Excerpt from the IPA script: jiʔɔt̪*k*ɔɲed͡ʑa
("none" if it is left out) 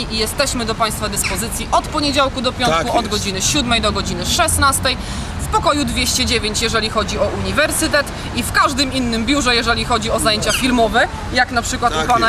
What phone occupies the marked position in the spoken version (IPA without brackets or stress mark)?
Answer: p